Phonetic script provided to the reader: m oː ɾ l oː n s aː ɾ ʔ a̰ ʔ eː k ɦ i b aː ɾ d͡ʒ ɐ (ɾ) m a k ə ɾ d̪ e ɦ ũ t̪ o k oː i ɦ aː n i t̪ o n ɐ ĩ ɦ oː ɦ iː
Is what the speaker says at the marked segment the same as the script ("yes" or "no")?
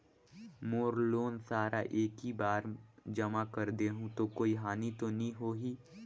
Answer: no